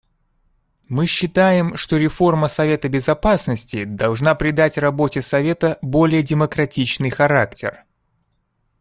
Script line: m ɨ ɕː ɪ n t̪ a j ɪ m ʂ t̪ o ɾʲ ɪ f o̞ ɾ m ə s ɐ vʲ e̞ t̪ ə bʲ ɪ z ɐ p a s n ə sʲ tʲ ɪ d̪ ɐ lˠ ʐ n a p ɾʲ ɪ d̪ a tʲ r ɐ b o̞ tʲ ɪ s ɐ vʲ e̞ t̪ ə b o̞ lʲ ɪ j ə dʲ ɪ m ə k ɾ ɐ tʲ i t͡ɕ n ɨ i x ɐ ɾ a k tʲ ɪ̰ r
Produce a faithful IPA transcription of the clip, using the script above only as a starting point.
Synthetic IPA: m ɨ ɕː ɪ t̪ a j ɪ m ʂ t̪ o ɾʲ ɪ f o̞ r m ə s ɐ vʲ e̞ t̪ ə bʲ ɪ z ɐ p a s n ə sʲ tʲ ɪ d̪ ɐ lˠ ʐ n a p ɾʲ ɪ d̪ a tʲ r ɐ b o̞ tʲ ɪ s ɐ vʲ e̞ t̪ ə b o̞ lʲ ɪ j ə dʲ ɪ m ə k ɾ ɐ tʲ i t͡ɕ n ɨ j x ɐ ɾ a k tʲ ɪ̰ r